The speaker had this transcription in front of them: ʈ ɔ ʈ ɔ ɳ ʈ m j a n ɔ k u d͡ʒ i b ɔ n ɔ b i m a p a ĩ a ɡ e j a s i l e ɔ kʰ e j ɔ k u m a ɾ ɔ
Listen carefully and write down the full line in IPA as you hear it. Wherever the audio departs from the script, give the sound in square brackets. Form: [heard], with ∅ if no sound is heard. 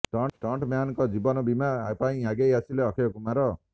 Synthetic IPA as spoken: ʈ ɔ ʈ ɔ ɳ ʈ m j a n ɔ k [ɔ] d͡ʒ i b ɔ n ɔ b i m a p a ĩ a ɡ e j a s i l e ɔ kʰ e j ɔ k u m a ɾ ɔ